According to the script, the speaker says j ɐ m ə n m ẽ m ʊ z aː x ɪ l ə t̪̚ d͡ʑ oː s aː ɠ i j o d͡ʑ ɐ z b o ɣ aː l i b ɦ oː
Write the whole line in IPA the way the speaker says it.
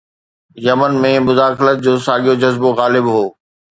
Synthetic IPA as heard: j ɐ m ə n m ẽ m ʊ z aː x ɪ l ə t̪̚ d͡ʑ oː s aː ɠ i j o d͡ʑ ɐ z b o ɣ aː l ɪ b ɦ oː